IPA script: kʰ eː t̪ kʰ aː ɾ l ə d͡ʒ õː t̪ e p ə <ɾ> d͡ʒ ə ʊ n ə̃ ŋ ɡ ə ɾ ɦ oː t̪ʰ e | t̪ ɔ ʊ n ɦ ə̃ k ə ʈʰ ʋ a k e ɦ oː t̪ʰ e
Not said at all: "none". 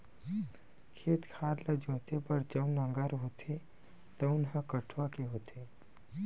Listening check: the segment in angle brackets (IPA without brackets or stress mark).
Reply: ɾ